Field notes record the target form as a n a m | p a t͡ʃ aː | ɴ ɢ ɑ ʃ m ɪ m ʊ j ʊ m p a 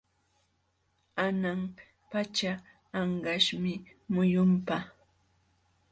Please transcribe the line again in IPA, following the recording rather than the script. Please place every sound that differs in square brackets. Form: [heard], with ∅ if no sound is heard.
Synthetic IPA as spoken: a n a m | p a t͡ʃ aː | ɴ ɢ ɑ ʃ m ɪ m ʊ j ʊ m p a